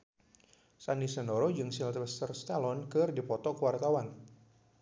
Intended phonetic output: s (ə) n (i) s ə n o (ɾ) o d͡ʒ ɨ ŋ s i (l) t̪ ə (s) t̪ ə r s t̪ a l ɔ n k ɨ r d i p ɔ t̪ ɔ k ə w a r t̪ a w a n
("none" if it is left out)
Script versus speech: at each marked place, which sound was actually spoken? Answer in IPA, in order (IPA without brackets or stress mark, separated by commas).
a, i, ɾ, l, s